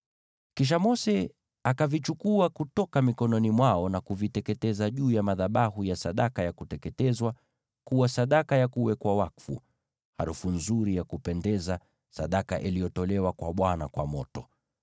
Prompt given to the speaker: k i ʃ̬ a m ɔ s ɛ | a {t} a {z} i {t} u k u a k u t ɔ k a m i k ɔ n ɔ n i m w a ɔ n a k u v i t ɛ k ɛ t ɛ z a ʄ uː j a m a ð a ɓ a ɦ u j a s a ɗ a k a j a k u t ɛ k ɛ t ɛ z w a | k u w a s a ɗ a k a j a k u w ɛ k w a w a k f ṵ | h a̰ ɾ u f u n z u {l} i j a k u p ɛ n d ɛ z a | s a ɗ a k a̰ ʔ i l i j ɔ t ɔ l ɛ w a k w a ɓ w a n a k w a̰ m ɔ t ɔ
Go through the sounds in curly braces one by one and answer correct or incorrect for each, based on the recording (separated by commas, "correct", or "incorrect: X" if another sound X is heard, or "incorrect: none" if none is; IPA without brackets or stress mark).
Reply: incorrect: k, incorrect: v, incorrect: t͡ʃ, incorrect: ɾ